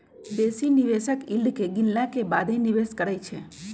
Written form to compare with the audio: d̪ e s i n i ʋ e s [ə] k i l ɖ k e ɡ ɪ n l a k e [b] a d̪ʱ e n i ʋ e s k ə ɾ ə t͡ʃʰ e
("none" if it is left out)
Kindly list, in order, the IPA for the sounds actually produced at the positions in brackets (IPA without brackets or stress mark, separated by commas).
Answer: ə, b